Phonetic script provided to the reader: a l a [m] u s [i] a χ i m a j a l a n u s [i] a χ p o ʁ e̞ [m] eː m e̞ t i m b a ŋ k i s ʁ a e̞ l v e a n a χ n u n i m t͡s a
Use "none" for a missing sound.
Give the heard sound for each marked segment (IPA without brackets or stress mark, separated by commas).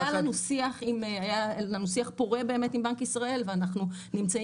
n, i, i, b